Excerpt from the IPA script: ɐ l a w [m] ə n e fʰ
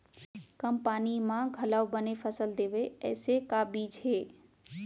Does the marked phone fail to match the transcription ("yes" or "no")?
yes